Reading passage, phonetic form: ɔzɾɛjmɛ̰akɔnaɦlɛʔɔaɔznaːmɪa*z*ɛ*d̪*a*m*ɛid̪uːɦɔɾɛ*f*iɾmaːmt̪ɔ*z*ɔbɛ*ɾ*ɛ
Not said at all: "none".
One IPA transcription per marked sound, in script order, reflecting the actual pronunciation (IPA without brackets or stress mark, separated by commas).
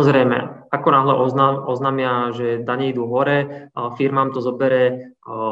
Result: ʒ, d̪, ɲ, f, z, ɾ